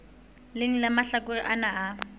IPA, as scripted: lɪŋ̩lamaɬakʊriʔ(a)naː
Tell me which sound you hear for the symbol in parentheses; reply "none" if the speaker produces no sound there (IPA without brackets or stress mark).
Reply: a